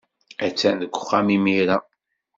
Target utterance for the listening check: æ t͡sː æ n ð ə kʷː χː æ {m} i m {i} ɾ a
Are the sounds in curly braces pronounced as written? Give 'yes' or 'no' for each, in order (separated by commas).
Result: yes, yes